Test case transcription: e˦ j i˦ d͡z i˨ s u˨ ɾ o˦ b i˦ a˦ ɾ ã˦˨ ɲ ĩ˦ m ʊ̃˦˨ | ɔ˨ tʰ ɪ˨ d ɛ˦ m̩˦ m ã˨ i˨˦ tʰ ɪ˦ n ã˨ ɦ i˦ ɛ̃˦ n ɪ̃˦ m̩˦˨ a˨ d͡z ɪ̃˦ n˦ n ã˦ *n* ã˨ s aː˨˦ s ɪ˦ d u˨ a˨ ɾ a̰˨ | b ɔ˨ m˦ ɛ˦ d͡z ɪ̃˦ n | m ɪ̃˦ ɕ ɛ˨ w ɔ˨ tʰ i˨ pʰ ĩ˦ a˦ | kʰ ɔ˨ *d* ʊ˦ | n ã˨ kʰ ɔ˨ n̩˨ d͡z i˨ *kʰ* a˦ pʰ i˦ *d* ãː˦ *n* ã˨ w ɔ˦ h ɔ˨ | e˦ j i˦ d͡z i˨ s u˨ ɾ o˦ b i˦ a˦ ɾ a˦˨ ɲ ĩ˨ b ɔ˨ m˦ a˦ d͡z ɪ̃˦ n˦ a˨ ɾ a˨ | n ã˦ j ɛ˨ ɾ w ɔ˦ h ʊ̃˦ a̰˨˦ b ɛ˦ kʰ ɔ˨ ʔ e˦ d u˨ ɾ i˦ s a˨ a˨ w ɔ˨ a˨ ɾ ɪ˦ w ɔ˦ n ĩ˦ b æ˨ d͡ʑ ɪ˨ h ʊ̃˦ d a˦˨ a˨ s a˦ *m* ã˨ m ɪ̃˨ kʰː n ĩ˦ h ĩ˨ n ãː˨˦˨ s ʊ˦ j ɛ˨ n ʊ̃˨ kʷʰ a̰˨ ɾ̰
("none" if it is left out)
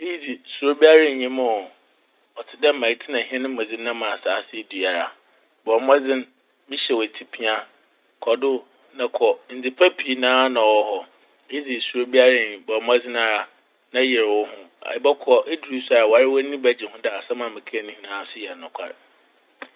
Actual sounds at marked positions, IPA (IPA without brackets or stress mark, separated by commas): m, d, pʰ, n, n, m